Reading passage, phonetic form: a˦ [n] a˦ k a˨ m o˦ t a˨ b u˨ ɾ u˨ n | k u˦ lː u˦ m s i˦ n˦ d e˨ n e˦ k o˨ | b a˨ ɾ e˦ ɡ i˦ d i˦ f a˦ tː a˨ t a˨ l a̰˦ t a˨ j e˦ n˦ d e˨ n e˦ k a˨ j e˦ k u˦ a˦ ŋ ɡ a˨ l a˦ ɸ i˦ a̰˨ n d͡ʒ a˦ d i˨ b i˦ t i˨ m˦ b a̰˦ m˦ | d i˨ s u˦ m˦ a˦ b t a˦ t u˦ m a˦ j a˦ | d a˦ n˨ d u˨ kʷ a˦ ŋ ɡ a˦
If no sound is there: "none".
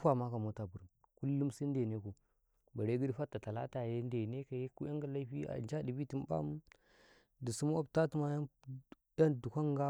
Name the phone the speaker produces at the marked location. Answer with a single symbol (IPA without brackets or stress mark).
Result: m